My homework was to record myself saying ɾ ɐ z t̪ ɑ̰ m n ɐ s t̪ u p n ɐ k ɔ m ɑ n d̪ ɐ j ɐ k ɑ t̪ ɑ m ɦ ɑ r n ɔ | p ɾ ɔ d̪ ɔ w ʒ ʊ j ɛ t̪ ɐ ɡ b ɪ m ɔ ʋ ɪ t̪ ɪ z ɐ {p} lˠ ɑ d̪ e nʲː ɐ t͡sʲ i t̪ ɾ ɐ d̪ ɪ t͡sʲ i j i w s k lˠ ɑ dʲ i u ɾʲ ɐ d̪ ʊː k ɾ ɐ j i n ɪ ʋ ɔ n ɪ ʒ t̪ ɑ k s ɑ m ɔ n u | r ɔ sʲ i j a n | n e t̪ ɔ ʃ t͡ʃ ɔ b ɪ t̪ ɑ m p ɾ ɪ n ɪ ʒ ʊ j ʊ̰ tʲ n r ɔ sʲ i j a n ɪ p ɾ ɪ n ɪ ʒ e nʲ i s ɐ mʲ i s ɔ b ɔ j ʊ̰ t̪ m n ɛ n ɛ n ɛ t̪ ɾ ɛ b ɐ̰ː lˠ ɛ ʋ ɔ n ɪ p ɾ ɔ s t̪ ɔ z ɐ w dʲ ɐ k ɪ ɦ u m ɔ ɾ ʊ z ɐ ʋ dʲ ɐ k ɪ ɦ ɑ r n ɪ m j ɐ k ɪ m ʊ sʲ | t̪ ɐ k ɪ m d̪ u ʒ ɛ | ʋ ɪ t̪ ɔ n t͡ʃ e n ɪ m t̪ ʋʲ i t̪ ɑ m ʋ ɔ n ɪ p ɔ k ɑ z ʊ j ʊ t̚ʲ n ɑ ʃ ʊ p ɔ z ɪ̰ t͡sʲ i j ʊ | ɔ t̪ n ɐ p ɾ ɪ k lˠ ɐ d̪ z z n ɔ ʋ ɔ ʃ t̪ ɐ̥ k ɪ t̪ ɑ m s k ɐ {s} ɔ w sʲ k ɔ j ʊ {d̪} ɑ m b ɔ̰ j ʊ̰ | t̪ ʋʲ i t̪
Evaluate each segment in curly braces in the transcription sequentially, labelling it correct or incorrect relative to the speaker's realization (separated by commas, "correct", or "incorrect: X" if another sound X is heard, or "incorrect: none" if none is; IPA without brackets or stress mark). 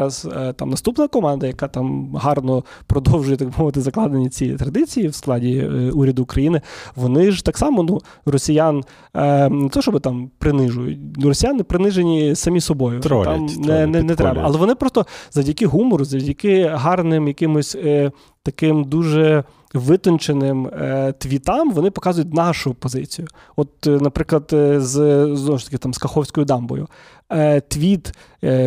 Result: incorrect: k, incorrect: x, correct